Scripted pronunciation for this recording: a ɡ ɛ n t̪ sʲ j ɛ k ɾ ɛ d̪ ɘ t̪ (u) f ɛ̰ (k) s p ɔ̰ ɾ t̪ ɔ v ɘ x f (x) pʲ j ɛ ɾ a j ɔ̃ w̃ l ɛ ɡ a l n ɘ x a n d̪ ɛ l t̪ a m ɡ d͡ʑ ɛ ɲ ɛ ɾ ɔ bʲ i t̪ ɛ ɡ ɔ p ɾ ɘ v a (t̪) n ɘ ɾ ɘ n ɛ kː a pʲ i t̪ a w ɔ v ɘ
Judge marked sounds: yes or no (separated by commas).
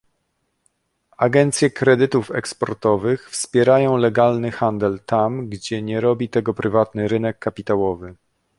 yes, yes, no, yes